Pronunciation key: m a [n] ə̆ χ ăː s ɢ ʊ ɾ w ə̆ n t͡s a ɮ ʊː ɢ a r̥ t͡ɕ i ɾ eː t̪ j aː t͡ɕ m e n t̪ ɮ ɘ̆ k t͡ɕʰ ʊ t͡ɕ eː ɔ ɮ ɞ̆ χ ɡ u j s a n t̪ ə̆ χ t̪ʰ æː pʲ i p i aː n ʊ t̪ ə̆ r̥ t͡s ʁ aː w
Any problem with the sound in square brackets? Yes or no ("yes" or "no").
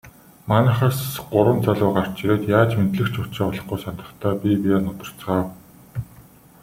no